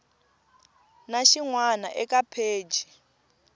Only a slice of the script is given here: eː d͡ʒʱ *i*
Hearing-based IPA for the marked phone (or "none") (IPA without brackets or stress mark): i